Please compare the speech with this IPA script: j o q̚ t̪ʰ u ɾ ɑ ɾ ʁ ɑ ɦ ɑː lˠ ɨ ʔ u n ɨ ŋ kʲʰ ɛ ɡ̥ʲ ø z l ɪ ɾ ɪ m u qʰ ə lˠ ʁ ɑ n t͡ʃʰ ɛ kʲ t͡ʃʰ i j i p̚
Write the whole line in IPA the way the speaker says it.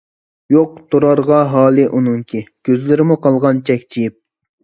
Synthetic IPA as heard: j o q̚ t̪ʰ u ɾ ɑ ɾ ʁ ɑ ɦ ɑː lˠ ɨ ʔ u n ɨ ŋ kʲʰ i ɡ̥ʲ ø z l ɪ ɾ ɪ m u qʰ ɑ lˠ ʁ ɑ n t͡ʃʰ ɛ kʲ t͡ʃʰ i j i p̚